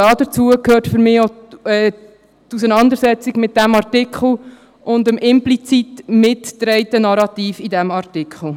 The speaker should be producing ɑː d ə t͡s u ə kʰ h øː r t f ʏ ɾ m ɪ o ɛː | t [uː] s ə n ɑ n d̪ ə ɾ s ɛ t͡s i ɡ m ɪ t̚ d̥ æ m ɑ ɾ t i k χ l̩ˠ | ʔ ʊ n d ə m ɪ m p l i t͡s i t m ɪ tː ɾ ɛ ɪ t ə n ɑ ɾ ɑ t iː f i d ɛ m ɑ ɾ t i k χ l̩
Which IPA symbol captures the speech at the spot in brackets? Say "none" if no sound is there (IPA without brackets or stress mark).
u